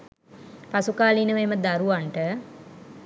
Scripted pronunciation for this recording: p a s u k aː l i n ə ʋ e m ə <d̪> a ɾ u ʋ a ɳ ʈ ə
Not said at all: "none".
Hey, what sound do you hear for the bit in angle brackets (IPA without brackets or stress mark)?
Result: d̪